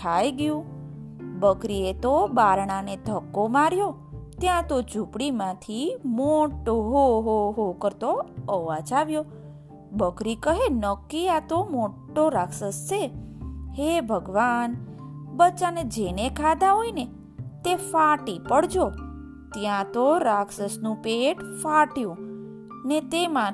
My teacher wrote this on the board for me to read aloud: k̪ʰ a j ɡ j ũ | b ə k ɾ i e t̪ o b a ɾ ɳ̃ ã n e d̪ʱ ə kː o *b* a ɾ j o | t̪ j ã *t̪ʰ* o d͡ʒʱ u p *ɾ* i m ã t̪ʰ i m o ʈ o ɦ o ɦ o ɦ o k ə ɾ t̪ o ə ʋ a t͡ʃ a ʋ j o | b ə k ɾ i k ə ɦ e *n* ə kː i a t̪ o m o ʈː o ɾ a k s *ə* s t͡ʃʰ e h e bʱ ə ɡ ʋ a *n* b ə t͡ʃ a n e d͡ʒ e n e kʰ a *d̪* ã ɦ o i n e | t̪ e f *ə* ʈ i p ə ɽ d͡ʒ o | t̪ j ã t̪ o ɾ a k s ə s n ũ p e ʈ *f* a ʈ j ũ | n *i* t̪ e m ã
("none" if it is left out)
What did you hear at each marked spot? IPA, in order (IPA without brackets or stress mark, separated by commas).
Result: m, t̪, ɽ, n, ə, n, d̪, a, f, e